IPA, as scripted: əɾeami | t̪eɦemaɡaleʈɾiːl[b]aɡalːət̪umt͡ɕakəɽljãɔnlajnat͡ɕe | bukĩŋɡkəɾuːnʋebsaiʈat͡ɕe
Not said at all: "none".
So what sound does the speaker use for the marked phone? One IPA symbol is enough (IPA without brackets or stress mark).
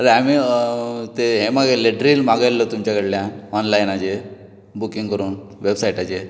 m